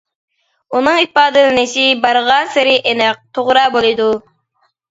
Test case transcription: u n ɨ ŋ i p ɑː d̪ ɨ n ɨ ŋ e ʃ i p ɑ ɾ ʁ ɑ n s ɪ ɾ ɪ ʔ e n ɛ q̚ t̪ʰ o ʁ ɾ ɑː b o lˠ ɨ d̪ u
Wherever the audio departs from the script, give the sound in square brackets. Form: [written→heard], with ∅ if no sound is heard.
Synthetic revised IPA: u n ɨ ŋ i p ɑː d̪ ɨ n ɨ [ŋ→n] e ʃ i [p→b] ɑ ɾ ʁ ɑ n s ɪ ɾ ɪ ʔ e n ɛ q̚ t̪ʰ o ʁ ɾ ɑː b o lˠ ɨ d̪ u